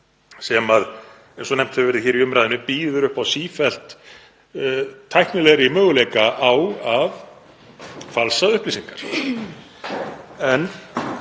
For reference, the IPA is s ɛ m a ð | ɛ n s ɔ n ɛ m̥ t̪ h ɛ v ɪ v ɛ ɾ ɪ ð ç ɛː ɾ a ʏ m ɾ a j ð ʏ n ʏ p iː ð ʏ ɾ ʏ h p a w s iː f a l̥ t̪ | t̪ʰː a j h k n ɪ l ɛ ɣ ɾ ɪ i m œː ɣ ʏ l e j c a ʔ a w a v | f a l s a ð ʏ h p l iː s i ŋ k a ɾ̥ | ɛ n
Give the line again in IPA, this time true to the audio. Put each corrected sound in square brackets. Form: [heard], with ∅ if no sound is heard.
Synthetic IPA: s ɛ m a ð | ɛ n s ɔ n ɛ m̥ t̪ h ɛ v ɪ v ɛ ɾ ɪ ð ç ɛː ɾ [i] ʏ m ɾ a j ð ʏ n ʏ p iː ð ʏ ɾ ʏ h p a w s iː f [ɛ] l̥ t̪ | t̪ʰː a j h k n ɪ l ɛ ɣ ɾ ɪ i m œː ɣ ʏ l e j [k] a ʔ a w a v | f a l s a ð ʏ h p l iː s i ŋ k a ɾ̥ | ɛ n